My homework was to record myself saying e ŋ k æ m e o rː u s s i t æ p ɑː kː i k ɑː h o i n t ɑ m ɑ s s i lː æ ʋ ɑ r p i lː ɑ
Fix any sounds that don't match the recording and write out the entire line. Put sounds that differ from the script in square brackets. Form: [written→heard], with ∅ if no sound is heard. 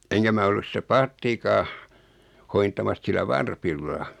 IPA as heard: e ŋ k æ m [e→æ] o [rː→lː] u s s i t æ p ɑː [kː→tː] i k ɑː h o i n t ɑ m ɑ s s i lː æ ʋ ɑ r p i lː ɑ